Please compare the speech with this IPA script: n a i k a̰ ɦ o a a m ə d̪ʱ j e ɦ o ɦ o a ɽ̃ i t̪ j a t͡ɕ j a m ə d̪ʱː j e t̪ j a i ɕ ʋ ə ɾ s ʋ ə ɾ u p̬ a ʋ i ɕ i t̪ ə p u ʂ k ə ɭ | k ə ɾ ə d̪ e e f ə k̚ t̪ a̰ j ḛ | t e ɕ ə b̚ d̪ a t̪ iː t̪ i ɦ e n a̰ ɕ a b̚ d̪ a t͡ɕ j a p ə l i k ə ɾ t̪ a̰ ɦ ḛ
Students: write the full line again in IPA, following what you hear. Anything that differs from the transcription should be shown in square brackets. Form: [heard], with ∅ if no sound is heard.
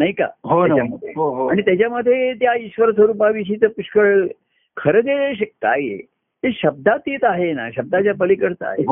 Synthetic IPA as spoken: n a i k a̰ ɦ o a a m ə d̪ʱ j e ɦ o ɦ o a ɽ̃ i t̪ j a t͡ɕ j a m ə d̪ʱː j e t̪ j a i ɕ ʋ ə ɾ s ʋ ə ɾ u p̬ a ʋ i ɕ i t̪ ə p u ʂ k ə ɭ | [kʰ] ə ɾ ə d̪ e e [ɕ] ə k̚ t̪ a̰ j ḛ | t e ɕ ə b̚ d̪ a t̪ iː t̪ [a] ɦ e n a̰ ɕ [ə] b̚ d̪ a t͡ɕ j a p ə l i k ə ɾ t̪ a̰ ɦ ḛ